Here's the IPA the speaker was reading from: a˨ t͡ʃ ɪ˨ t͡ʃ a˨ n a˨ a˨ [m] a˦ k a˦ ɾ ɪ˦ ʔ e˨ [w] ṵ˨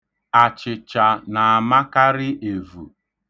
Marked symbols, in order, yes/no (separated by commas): yes, no